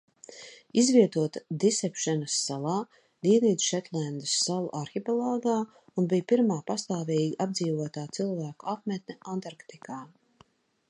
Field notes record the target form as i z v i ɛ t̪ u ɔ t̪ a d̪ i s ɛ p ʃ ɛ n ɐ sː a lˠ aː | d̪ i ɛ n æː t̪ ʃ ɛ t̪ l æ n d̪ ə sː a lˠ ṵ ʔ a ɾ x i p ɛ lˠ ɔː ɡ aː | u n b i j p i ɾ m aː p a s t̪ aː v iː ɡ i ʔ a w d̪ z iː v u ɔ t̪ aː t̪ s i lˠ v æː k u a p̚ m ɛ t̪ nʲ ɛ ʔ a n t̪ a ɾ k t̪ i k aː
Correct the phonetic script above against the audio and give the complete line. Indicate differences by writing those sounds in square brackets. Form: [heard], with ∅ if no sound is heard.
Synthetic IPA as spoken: i z v i ɛ t̪ u ɔ t̪ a d̪ i s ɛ p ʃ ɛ n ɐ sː a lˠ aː | d̪ i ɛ n [iː] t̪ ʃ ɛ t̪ l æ n d̪ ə sː a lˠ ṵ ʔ a ɾ x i p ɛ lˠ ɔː ɡ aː | u n b i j p i ɾ m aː p a s t̪ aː v iː ɡ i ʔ a [b] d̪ z iː v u ɔ t̪ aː t̪ s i lˠ v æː k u a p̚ m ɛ t̪ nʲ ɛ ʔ a n t̪ a ɾ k t̪ i k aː